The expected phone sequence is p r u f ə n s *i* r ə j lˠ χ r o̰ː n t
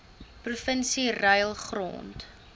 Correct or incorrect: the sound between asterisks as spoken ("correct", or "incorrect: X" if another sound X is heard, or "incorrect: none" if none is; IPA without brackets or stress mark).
correct